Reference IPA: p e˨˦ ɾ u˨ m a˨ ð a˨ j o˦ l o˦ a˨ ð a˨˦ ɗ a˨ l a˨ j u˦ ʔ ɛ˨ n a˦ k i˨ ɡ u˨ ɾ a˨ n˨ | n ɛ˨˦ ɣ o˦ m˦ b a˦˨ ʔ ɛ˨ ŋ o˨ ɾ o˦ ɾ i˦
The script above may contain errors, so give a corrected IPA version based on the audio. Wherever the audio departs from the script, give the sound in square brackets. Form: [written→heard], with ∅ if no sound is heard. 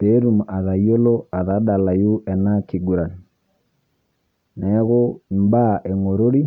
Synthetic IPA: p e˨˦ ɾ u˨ m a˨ ð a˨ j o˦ l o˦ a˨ ð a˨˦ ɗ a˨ l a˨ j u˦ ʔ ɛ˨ n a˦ k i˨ ɡ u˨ ɾ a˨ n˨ | n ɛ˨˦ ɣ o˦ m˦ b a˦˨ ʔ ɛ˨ ŋ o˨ ɾ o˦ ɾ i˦